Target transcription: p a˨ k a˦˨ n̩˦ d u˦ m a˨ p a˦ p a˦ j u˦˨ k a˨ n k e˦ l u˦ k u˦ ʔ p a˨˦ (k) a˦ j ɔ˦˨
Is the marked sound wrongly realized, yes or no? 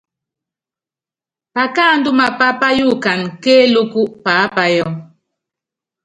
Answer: yes